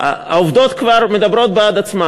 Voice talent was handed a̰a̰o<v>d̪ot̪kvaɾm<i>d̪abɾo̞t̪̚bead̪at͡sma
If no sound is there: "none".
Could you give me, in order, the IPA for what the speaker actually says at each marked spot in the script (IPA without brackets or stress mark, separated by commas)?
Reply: v, e